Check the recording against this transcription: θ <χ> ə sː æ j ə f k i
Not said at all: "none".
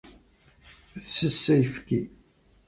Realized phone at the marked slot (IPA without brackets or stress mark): s